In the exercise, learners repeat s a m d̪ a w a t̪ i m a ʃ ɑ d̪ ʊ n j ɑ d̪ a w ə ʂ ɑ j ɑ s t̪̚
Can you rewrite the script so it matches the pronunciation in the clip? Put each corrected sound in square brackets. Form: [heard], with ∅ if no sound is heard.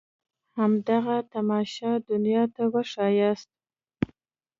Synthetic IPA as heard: [h] a m d̪ a [ɣ] a t̪ [a] m [ɑ] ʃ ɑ d̪ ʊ n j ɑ [t̪] a w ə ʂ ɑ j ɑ s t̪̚

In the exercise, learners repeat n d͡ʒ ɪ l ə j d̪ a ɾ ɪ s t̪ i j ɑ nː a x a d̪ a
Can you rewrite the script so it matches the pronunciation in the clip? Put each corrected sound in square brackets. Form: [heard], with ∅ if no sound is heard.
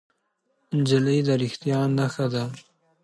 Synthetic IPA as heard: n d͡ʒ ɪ l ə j d̪ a ɾ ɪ [x] t̪ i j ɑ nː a x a d̪ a

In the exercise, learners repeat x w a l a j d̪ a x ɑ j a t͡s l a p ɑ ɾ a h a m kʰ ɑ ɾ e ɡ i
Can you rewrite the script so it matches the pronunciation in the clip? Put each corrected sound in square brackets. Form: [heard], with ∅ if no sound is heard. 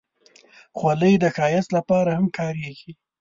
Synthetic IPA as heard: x w a l [ə] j d̪ [ə] x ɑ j a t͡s l a p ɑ ɾ a h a m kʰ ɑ ɾ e ɡ i

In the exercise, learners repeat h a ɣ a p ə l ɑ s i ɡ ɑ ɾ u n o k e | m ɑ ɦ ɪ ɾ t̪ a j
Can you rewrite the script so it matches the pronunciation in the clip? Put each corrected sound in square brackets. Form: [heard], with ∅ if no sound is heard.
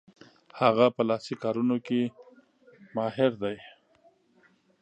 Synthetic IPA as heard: h a ɣ a p ə l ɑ s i [k] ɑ ɾ u n o k e | m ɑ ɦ ɪ ɾ [d̪] a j

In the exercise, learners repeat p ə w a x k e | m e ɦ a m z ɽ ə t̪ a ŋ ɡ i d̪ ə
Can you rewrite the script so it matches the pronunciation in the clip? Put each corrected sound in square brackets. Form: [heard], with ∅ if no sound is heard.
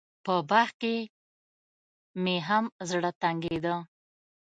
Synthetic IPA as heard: p ə [b] a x k e | m e ɦ a m z ɽ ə t̪ a ŋ ɡ [e] d̪ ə

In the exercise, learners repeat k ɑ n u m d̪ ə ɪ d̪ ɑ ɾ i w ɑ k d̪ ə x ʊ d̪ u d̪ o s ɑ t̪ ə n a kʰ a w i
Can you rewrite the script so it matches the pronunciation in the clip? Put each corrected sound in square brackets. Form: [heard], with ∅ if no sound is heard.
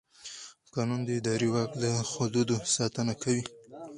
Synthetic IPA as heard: k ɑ n u [n] d̪ ə ɪ d̪ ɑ ɾ i w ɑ k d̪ ə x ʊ d̪ u d̪ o s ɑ t̪ ə n a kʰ a w i

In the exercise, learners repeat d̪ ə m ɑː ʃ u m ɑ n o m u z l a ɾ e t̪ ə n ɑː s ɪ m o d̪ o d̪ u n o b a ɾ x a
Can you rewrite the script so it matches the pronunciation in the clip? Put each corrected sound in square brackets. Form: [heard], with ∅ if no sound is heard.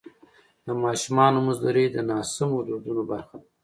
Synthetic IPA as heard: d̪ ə m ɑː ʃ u m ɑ n o m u z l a ɾ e [d̪] ə n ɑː s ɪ m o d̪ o d̪ u n o b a ɾ x a

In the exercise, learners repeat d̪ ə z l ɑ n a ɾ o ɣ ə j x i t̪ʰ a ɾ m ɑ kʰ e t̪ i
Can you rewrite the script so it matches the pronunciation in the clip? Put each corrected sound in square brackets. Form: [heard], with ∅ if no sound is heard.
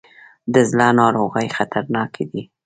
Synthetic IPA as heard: d̪ ə z l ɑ n [ɑ] ɾ o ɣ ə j x [a] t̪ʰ a ɾ [n] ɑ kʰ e [d̪] i

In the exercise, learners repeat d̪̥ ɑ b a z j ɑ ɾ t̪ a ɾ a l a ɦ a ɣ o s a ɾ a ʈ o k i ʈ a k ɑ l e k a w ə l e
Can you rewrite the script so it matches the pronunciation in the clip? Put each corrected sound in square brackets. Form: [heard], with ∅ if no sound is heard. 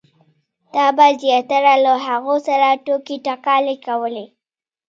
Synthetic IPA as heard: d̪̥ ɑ b a z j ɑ [∅] t̪ a ɾ a l a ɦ a ɣ o s a ɾ a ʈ o k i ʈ a k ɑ l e k a w ə l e

